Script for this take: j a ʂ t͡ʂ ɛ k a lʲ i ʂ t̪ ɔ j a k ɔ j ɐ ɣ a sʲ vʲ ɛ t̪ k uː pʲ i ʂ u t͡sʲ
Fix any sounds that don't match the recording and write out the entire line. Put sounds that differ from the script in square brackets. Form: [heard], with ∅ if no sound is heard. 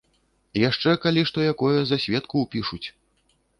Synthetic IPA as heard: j a ʂ t͡ʂ ɛ k a lʲ i ʂ t̪ ɔ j a k ɔ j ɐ [z] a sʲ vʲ ɛ t̪ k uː pʲ i ʂ u t͡sʲ